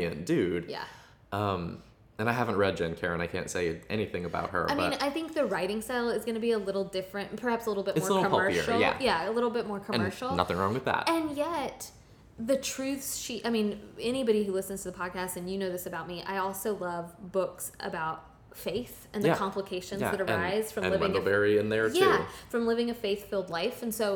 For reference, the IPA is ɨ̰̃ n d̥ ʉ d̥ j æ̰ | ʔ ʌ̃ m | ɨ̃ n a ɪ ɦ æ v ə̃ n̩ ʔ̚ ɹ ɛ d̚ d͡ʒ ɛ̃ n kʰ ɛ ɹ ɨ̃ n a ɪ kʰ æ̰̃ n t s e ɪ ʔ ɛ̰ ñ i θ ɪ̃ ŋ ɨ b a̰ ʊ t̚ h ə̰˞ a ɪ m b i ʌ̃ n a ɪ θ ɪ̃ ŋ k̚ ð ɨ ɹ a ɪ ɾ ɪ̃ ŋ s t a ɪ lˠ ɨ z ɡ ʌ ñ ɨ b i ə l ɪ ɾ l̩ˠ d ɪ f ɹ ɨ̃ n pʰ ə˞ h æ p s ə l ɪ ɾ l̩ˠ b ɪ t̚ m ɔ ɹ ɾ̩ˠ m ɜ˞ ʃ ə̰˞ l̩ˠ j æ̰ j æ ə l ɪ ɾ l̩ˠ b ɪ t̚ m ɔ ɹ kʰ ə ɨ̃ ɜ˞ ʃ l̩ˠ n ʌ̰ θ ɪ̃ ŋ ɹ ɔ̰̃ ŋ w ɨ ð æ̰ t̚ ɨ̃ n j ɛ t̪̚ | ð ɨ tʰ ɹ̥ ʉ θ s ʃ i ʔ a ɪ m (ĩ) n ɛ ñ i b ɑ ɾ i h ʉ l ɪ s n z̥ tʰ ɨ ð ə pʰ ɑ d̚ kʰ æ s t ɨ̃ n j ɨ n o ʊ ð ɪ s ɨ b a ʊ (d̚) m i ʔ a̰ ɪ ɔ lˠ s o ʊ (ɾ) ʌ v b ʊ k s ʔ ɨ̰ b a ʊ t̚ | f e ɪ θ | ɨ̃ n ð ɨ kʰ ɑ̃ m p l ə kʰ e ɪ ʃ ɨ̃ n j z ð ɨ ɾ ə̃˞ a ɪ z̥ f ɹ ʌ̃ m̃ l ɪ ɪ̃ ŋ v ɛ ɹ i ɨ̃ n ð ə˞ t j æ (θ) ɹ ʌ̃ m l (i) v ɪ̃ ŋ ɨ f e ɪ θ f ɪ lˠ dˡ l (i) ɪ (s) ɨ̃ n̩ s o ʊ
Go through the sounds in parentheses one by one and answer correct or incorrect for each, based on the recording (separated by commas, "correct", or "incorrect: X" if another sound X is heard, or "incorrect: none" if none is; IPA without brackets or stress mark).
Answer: correct, incorrect: t̚, incorrect: l, incorrect: f, incorrect: ɪ, incorrect: a, incorrect: f